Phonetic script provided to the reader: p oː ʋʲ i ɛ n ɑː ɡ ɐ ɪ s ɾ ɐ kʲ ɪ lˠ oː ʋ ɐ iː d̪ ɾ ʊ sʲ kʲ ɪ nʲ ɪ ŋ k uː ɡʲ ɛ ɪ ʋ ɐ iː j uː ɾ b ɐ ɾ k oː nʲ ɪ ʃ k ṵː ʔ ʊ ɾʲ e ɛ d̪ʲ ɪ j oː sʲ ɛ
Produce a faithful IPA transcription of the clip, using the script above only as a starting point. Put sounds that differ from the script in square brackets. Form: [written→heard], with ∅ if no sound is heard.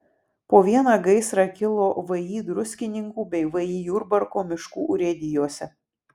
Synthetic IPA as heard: p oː ʋʲ i ɛ n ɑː ɡ ɐ ɪ s ɾ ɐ kʲ ɪ lˠ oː ʋ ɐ iː d̪ ɾ ʊ sʲ kʲ ɪ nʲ ɪ ŋ k uː [ɡʲ→bʲ] ɛ ɪ ʋ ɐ iː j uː ɾ b ɐ ɾ k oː [nʲ→mʲ] ɪ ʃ k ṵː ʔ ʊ ɾʲ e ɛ d̪ʲ ɪ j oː sʲ ɛ